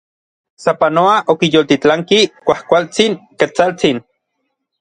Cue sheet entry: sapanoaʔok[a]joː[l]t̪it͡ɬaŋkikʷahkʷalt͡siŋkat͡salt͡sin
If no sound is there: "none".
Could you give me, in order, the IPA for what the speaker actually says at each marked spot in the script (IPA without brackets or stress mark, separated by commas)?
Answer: i, l